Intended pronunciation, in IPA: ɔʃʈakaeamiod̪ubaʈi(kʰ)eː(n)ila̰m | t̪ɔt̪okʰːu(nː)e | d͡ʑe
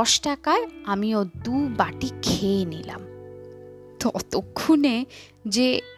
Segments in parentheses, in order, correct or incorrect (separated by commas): correct, correct, incorrect